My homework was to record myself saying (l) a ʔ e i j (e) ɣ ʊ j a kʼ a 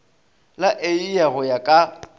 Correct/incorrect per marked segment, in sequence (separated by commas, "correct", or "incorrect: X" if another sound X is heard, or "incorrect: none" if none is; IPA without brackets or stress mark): correct, incorrect: a